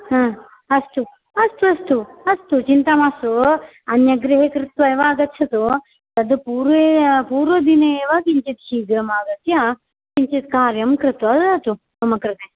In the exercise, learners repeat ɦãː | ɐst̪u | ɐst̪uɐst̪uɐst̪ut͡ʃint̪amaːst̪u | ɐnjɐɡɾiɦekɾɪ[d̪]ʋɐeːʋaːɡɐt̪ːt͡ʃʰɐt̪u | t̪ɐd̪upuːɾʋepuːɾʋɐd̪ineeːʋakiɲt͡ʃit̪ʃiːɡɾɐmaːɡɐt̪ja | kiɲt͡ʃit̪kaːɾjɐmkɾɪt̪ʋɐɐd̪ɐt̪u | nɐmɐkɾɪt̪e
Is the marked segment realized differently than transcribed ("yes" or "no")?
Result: yes